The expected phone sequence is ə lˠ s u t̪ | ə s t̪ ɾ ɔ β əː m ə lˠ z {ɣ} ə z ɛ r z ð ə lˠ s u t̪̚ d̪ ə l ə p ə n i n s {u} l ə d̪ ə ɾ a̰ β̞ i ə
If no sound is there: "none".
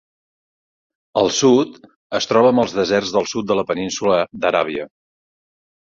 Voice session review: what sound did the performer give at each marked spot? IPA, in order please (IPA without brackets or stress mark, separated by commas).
ð, u